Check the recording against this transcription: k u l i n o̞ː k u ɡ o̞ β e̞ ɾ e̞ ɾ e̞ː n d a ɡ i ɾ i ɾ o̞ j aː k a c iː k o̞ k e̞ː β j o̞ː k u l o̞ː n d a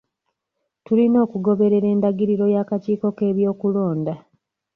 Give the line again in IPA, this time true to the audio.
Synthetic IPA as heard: t u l i n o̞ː k u ɡ o̞ β e̞ ɾ e̞ ɾ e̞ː n d a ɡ i ɾ i ɾ o̞ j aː k a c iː k o̞ k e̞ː β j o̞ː k u l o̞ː n d a